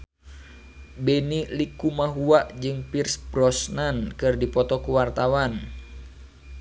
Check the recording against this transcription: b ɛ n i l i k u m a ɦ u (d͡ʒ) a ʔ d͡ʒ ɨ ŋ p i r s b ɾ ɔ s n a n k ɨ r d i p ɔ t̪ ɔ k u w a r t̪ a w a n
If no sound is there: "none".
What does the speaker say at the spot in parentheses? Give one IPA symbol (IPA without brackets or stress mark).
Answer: none